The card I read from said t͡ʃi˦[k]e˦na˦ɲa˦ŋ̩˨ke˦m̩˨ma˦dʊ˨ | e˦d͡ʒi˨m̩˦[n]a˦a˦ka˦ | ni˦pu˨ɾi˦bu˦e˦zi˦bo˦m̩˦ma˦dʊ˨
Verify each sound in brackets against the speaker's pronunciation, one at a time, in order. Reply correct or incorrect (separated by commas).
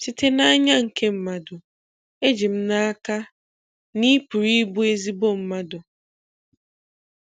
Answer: incorrect, correct